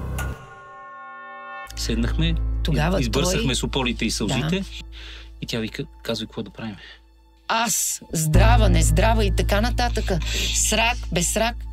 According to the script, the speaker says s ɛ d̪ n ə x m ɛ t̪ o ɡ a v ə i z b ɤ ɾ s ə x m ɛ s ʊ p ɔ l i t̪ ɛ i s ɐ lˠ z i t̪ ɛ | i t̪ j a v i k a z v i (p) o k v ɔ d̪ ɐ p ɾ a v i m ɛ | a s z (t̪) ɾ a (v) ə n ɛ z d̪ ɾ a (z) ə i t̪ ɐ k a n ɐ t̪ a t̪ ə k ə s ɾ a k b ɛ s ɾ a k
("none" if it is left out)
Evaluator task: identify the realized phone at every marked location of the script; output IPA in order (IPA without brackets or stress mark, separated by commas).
k, d̪, v, v